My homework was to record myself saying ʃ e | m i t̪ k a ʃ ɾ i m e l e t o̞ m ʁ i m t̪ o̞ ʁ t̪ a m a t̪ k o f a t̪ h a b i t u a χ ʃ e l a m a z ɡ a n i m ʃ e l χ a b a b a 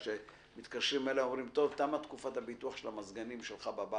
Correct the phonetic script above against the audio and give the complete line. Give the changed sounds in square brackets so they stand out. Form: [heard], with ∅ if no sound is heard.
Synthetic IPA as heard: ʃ e | m i t̪ k a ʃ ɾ i m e l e [∅] o̞ m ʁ i m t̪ o̞ [v] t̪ a m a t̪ k [u] f a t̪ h a b i t u a χ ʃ e l a m a z ɡ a n i m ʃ e l χ a b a b a